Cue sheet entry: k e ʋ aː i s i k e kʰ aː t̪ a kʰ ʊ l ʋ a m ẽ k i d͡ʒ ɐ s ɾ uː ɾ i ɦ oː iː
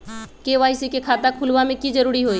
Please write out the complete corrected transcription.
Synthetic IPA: k e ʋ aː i s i k e kʰ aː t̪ a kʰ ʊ l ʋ a m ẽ k i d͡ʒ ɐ ɾ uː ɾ i ɦ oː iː